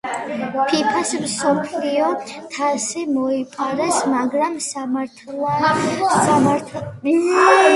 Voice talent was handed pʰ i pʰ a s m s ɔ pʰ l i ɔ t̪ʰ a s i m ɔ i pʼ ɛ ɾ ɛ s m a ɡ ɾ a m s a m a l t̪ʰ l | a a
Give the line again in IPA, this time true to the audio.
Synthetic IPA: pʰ i pʰ a s m s ɔ pʰ l i ɔ t̪ʰ a s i m ɔ i pʼ a ɾ ɛ s m a ɡ ɾ a m s a m a ɾ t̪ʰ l | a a